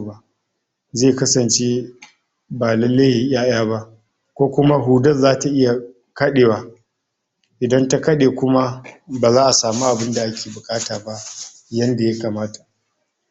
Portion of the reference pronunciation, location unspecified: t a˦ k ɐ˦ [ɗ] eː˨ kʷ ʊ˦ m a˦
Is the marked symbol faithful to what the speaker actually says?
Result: yes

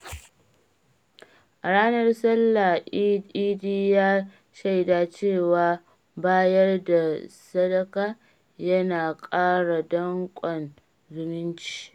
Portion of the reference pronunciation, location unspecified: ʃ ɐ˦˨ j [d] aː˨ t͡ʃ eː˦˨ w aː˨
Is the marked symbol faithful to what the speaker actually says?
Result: yes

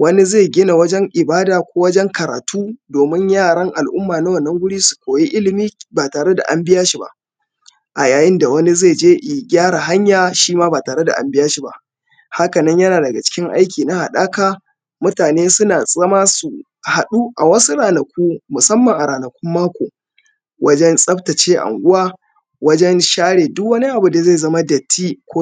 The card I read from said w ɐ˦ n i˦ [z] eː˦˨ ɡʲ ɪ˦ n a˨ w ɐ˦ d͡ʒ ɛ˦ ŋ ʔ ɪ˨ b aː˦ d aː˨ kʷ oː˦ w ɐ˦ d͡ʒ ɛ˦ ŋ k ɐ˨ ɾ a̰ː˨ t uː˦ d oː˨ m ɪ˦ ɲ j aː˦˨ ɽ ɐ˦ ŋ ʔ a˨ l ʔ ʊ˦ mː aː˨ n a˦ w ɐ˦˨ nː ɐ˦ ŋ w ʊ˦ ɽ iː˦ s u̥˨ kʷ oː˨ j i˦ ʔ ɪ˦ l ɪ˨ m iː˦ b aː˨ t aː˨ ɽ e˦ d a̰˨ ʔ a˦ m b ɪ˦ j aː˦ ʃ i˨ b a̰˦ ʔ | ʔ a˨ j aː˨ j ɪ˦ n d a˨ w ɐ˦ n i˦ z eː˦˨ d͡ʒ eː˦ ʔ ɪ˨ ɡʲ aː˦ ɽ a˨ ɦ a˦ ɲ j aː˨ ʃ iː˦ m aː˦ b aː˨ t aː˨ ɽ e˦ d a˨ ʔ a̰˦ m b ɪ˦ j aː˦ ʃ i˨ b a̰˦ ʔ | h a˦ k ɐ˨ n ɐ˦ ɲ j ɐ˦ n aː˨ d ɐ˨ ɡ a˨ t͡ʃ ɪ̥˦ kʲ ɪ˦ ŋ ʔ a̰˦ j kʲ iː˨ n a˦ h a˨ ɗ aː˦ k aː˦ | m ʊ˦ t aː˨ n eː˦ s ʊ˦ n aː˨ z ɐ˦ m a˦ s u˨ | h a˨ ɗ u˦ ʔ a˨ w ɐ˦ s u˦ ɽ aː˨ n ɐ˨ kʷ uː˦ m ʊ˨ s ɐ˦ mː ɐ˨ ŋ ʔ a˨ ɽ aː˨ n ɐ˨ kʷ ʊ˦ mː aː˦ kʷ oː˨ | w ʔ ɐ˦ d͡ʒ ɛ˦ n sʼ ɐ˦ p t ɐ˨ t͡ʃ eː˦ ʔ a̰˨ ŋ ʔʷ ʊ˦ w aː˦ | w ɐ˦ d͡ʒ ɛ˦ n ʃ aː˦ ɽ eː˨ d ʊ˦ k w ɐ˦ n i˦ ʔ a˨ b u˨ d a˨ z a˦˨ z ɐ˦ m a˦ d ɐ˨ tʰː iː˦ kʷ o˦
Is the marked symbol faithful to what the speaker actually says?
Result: yes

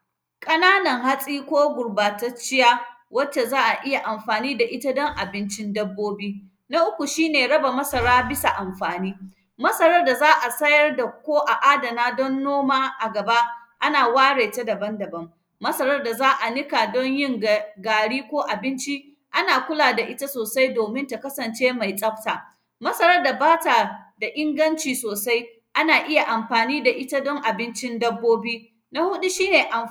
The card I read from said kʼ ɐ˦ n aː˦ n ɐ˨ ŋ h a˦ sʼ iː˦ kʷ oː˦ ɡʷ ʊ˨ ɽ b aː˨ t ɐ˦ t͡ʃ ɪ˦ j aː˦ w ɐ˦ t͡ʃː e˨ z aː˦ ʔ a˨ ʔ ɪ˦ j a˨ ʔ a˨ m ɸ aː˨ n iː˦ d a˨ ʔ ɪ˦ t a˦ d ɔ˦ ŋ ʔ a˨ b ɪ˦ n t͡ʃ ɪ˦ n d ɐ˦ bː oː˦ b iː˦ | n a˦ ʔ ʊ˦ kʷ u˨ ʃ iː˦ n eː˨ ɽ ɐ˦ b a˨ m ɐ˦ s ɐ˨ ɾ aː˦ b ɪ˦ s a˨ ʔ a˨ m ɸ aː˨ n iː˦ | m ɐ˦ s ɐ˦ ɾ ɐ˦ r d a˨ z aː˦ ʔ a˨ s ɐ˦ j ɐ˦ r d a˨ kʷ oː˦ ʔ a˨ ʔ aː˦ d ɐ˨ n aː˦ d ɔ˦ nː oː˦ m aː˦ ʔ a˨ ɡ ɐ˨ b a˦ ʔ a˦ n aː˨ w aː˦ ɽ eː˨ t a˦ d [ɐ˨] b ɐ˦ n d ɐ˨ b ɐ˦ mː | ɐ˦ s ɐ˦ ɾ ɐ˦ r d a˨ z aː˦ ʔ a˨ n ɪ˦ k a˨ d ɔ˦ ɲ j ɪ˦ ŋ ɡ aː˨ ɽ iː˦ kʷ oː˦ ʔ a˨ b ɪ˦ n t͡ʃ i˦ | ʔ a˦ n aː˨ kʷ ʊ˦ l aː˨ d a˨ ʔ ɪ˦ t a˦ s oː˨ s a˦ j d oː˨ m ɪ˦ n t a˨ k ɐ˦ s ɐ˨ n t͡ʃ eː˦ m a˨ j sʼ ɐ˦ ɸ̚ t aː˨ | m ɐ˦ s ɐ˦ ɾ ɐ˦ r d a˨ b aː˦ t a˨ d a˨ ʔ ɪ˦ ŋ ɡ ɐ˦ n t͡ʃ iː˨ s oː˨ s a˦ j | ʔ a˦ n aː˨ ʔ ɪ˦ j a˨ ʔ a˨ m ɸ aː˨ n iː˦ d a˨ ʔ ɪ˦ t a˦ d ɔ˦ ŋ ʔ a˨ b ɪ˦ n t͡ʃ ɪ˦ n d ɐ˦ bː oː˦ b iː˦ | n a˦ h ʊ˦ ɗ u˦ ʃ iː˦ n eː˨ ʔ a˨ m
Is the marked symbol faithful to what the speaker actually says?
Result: yes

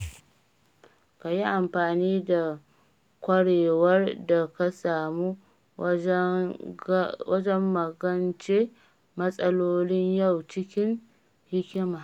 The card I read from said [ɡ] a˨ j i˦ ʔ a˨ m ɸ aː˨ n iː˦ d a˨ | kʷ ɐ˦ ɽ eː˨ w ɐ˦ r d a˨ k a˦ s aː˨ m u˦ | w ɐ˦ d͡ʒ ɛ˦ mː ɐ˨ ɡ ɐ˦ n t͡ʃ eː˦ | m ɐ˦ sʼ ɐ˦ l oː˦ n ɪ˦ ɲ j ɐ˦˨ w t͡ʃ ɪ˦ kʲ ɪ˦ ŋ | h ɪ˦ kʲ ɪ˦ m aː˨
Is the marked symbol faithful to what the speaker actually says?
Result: no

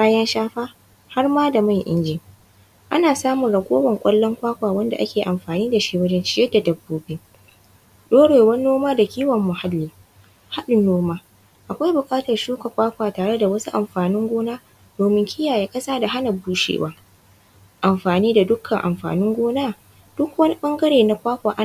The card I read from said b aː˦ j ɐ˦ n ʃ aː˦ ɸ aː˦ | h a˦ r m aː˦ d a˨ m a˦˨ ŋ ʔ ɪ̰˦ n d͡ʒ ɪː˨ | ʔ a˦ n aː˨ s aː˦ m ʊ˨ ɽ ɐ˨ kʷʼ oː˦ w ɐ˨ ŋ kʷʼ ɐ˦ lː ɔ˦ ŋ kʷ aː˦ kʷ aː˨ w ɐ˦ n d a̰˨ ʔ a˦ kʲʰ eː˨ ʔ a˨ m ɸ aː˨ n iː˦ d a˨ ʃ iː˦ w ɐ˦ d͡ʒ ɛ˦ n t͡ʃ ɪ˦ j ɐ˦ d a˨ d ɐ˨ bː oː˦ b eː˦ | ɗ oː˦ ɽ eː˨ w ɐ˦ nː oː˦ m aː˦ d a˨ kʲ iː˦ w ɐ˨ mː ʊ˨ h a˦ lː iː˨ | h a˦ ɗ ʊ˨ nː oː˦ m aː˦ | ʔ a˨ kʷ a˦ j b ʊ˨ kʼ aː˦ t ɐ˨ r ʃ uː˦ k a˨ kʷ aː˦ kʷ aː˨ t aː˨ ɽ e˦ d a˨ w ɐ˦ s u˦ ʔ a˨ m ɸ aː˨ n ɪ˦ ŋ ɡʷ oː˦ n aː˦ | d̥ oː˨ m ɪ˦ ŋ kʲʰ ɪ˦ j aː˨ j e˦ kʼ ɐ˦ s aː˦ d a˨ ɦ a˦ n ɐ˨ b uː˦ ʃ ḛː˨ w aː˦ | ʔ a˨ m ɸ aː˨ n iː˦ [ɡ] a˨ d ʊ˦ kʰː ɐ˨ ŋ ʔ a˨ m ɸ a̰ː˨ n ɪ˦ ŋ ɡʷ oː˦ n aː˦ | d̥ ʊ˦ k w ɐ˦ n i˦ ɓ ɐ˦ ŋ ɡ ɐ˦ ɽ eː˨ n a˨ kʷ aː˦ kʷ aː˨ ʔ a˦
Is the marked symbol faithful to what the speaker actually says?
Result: no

